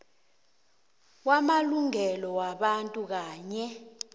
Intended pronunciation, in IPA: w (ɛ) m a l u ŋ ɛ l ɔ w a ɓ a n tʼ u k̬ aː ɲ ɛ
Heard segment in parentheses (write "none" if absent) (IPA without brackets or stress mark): a